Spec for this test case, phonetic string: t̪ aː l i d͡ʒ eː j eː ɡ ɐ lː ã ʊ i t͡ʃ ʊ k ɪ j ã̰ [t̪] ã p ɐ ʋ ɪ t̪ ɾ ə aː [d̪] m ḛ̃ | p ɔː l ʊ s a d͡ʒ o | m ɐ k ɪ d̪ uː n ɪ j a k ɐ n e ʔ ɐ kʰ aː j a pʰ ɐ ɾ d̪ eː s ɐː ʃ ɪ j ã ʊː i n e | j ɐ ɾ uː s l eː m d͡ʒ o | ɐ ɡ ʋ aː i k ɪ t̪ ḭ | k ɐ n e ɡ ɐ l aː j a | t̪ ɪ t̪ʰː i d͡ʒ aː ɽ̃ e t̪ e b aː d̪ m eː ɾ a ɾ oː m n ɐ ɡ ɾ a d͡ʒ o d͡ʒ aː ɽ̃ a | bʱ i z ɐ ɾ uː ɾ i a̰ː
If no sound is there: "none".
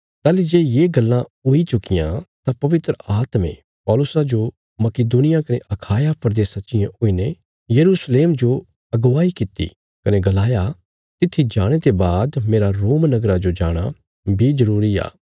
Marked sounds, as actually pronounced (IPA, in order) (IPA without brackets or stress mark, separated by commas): t̪, t̪